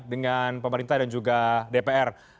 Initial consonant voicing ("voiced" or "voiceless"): voiced